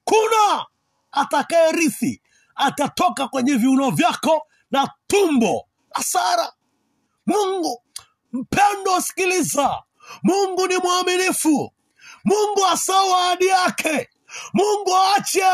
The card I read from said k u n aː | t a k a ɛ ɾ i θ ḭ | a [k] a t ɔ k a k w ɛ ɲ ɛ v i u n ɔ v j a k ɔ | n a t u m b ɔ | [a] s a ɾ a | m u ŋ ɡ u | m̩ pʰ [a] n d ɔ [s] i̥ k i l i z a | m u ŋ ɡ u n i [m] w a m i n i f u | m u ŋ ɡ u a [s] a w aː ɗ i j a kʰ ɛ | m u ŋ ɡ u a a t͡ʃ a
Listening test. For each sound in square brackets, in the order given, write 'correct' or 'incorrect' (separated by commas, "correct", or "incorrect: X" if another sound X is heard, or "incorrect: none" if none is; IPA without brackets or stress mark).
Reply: incorrect: t, correct, incorrect: ɛ, correct, correct, correct